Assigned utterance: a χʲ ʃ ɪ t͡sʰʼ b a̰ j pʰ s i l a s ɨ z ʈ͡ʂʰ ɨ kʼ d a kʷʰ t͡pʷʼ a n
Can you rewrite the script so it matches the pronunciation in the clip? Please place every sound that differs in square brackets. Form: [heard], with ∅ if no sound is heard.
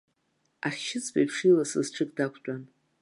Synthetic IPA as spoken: a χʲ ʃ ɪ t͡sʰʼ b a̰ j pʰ [ʂ] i l a s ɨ z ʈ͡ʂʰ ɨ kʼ d a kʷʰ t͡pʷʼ a n